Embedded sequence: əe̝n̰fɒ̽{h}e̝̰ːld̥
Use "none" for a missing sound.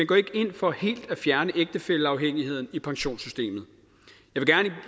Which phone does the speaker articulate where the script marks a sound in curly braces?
h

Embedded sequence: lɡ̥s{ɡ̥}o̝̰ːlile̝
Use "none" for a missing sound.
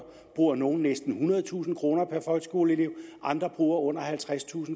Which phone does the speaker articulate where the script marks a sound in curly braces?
ɡ̥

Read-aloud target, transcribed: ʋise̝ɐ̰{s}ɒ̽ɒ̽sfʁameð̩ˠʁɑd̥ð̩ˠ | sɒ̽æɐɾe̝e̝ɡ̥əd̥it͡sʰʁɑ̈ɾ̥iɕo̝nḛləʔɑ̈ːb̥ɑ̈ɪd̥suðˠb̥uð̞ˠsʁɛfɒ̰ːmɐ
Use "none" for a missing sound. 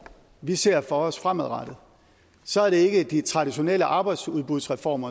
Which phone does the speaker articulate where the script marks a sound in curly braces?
f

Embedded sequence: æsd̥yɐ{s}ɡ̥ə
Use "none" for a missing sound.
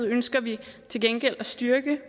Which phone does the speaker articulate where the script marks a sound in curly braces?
none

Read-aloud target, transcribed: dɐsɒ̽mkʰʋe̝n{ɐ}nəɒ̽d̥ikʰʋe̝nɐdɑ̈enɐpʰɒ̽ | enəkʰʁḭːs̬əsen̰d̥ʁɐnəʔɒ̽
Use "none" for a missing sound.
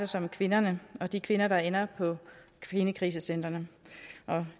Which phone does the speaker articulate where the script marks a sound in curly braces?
ɐ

